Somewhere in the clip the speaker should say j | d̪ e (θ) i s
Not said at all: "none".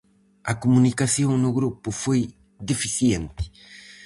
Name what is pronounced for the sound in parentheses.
f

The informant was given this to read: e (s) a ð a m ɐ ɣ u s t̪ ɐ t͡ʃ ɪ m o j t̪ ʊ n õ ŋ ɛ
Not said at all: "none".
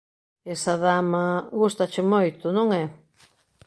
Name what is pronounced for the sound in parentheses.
s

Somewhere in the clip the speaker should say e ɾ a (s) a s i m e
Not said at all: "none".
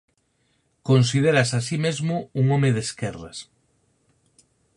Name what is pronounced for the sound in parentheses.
s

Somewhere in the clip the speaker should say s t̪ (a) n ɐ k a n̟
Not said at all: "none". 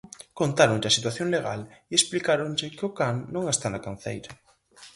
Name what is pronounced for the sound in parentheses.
a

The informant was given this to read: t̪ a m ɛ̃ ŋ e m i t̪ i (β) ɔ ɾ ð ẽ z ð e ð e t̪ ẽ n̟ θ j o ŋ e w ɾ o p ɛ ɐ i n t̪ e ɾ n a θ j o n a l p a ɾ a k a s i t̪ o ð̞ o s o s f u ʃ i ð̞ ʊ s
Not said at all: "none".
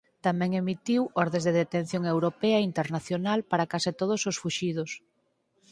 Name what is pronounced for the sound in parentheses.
w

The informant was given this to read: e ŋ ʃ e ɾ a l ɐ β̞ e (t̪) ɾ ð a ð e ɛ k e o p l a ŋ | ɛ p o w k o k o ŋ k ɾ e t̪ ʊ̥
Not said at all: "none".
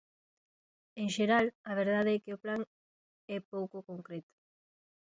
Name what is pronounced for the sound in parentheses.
none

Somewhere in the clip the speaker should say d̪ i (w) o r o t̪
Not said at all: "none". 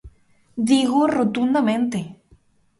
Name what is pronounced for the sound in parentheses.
ɣ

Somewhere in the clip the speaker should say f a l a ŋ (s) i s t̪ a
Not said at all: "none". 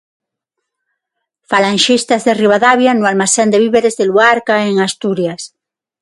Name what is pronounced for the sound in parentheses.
ʃ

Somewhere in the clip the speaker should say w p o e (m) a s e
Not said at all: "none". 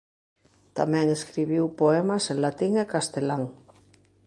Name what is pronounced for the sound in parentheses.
m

